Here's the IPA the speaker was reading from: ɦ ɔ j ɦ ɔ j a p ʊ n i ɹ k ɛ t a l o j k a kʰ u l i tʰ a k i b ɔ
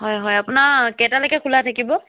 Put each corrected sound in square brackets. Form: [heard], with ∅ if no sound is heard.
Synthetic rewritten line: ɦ ɔ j ɦ ɔ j a p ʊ n [a] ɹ k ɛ t a l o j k [ɛ] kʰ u l [a] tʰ a k i b ɔ